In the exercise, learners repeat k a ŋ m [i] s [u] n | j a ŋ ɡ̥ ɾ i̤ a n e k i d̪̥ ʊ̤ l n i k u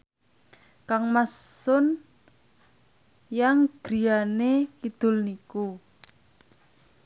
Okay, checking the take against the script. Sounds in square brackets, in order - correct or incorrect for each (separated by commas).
incorrect, incorrect